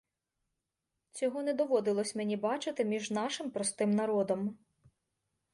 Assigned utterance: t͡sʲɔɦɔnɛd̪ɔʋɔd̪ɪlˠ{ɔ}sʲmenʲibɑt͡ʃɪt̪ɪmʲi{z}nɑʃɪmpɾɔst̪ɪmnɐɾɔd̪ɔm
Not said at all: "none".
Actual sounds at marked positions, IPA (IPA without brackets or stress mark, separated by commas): ɔ, ʒ